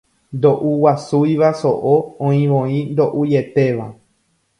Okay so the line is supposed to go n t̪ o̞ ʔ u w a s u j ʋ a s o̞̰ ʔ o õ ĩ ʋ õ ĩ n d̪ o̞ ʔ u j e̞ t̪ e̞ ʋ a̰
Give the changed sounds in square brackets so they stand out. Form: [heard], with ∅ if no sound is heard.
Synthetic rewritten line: n [d̪] o̞ ʔ u w a s u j ʋ a s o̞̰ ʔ o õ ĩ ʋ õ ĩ n d̪ o̞ ʔ u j e̞ t̪ e̞ ʋ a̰